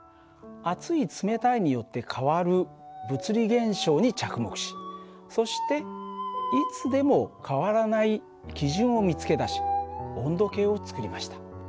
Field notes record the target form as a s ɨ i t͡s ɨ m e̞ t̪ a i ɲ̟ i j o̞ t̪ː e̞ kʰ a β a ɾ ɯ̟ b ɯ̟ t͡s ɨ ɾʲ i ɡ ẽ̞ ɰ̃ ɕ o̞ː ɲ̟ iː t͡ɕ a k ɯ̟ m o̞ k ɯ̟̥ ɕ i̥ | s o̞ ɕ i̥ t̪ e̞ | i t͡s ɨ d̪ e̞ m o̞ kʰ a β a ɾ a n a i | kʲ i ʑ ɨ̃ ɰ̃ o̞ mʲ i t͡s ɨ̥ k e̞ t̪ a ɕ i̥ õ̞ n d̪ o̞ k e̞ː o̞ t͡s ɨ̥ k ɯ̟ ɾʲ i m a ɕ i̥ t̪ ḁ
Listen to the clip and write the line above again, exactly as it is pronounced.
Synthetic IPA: a t͡s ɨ i t͡s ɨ m e̞ t̪ a i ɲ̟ i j o̞ t̪ː e̞ kʰ a β a ɾ ɯ̟ b ɯ̟ t͡s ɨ ɾʲ i ɡ ẽ̞ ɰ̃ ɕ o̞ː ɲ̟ i t͡ɕ a k ɯ̟ m o̞ k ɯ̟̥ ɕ i̥ | s o̞ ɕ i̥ t̪ e̞ | i t͡s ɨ d̪ e̞ m o̞ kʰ a β a ɾ a n a i | kʲ i ʑ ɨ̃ ɰ̃ o̞ mʲ i t͡s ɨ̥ k e̞ d̪ a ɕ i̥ õ̞ n d̪ o̞ k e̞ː o̞ t͡s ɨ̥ k ɯ̟ ɾʲ i m a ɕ i̥ t̪ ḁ